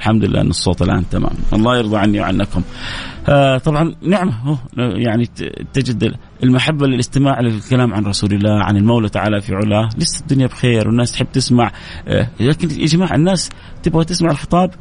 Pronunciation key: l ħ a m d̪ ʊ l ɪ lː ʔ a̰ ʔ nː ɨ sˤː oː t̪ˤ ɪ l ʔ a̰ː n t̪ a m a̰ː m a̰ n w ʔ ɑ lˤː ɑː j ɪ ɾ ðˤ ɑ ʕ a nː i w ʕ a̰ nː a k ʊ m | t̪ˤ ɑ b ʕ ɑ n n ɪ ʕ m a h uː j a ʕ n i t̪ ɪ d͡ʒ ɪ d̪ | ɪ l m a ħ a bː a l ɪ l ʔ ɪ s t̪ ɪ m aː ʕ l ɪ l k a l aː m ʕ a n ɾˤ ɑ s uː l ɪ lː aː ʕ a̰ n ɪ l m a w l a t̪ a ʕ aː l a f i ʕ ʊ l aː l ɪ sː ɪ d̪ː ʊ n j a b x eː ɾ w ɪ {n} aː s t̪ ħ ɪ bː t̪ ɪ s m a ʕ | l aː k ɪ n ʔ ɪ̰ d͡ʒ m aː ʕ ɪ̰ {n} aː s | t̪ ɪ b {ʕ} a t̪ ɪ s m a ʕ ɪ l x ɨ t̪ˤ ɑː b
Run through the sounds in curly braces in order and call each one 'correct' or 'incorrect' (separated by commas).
incorrect, incorrect, incorrect